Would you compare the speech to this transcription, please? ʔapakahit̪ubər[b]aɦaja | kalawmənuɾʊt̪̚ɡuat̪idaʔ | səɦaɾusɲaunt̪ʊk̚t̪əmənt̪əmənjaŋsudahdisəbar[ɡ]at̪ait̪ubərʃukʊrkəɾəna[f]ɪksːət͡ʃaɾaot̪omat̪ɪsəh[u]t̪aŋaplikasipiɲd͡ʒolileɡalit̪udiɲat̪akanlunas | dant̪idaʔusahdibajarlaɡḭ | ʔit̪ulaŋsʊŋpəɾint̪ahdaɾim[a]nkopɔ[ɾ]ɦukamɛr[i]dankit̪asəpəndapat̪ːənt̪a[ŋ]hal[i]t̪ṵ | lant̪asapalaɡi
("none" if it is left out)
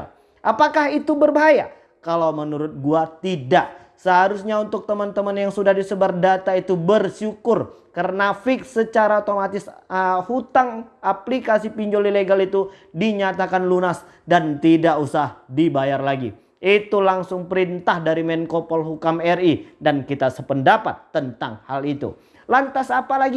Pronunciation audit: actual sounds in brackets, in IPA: b, d, f, u, ɛ, l, i, ŋ, i

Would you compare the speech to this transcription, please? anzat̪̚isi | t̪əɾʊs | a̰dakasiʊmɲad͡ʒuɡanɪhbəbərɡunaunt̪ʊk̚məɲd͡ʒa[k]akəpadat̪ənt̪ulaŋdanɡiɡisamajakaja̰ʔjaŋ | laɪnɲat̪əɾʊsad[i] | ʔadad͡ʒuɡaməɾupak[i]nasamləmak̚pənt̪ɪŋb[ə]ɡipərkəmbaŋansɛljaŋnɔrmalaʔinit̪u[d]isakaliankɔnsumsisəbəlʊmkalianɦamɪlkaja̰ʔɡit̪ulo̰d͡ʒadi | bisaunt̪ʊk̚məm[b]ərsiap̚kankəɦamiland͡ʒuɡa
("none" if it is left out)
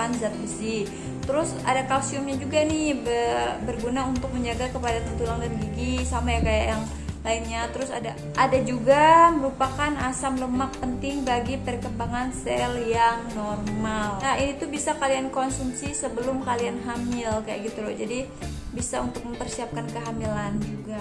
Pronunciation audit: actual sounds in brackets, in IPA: ɡ, a, a, a, b, p

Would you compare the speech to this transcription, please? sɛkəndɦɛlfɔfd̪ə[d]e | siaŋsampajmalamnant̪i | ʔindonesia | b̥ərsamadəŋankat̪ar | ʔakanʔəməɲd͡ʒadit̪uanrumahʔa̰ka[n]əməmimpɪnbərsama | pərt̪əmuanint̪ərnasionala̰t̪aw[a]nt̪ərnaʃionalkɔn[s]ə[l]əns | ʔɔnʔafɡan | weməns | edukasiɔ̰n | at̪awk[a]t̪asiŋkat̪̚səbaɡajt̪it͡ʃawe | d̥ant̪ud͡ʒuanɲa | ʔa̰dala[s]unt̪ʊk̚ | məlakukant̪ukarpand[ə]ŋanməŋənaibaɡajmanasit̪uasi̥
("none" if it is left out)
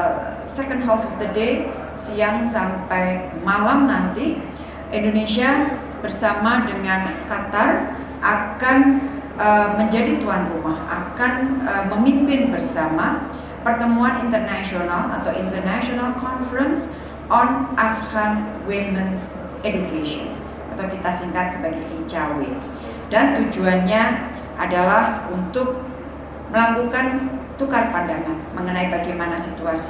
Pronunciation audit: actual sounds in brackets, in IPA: d, n, i, f, ɾ, i, h, a

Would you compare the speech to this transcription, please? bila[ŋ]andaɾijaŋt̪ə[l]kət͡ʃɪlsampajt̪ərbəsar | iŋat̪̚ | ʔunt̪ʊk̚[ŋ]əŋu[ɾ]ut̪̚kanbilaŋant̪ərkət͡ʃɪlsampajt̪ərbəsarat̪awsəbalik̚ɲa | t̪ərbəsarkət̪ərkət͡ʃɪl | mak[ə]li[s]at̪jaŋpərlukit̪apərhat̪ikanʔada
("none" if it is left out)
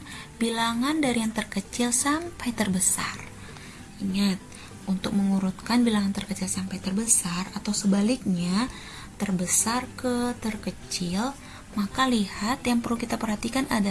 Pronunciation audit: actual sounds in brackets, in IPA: ŋ, r, m, ɾ, a, h

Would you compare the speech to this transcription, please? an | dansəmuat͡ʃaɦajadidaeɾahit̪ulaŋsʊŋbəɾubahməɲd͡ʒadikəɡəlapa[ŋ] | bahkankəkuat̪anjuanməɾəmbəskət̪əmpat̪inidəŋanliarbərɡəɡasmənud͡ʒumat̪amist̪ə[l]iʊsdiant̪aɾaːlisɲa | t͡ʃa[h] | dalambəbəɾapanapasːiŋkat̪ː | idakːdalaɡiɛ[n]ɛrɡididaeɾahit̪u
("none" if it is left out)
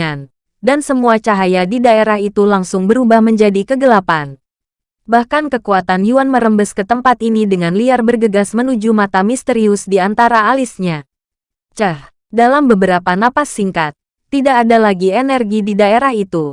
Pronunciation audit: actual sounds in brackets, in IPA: n, ɾ, h, n

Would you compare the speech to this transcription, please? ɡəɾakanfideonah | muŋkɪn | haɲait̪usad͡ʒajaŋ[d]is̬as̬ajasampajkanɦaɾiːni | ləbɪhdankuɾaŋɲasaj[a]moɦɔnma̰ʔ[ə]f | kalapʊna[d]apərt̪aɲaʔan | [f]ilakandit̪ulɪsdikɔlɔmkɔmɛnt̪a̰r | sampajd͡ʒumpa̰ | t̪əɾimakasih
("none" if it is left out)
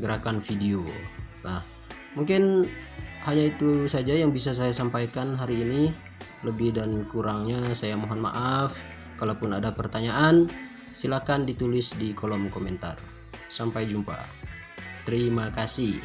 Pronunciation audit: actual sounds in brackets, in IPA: b, a, a, d, s

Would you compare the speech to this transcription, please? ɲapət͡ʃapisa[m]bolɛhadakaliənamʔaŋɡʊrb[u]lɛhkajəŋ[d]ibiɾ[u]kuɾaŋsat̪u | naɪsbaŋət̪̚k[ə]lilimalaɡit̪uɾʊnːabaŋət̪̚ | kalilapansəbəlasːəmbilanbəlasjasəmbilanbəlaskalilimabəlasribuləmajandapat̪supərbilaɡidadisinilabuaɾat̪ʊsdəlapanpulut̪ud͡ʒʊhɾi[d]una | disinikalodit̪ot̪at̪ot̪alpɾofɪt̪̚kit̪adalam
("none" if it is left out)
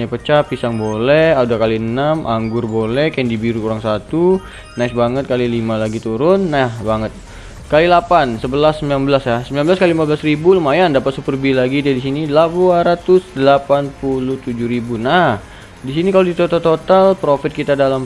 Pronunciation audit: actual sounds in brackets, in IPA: ŋ, o, d, u, a, b

